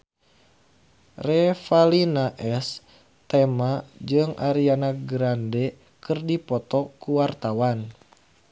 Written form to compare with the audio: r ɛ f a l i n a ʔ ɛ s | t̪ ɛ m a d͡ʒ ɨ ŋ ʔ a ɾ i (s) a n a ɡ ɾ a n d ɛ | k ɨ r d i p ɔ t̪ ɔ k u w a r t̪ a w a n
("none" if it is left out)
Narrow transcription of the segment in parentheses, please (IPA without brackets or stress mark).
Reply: none